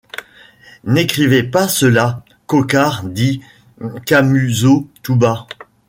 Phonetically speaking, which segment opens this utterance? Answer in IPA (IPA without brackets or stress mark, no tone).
n